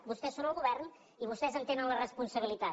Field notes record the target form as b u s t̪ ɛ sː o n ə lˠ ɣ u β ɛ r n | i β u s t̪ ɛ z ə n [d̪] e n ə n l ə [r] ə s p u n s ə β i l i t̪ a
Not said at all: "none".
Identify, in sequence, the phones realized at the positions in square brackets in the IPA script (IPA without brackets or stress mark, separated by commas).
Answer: t̪, r